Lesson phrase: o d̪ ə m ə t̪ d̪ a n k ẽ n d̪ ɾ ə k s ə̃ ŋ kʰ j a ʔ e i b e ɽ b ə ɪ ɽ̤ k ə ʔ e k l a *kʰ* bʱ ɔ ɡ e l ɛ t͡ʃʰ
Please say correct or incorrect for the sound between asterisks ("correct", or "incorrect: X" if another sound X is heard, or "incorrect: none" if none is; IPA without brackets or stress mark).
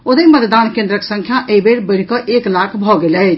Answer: correct